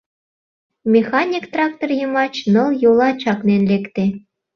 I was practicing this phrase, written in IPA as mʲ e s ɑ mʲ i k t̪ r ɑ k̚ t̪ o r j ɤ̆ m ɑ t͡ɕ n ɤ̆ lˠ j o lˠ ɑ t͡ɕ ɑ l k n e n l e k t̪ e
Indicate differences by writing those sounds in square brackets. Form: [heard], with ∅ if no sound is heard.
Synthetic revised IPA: mʲ e [x] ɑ [nʲ] i k t̪ r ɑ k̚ t̪ o r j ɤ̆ m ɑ t͡ɕ n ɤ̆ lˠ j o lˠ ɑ t͡ɕ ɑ [∅] k n e n l e k t̪ e